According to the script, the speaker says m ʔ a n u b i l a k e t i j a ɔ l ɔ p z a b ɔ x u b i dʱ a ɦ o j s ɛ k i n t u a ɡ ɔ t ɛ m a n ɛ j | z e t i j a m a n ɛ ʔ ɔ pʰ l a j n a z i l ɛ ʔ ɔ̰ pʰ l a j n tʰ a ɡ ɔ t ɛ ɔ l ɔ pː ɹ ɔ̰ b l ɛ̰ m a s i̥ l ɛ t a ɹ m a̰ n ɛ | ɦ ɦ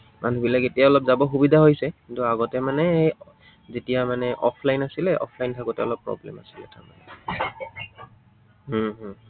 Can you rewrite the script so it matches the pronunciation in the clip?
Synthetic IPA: m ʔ a n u b i l a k e t i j a ɔ l ɔ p z a b ɔ x u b i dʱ a ɦ o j s ɛ k i n t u a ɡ ɔ t ɛ m a n ɛ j | z e t i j a m a n ɛ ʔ ɔ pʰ l a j n a s i l ɛ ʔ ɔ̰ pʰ l a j n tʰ a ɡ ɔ t ɛ ɔ l ɔ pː ɹ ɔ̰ b l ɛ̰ m a s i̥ l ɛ t a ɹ m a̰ n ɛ | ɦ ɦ